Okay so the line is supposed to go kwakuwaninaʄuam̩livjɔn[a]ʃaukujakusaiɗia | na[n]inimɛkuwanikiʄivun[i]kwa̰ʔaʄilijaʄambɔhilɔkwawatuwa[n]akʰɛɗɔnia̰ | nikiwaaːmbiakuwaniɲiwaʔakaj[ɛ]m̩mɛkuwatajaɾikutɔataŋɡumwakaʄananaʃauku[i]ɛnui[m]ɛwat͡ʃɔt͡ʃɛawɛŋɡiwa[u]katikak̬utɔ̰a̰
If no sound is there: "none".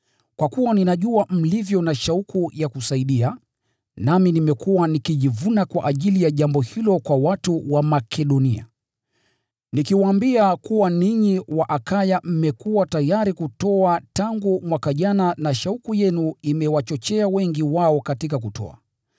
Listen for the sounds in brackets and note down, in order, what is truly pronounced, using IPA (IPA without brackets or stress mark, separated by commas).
a, m, a, m, a, j, m, ɔ